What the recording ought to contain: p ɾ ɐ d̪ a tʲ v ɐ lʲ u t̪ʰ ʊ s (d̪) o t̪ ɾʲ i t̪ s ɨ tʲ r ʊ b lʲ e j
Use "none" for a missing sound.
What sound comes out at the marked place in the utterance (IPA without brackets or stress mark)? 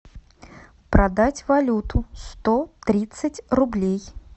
t̪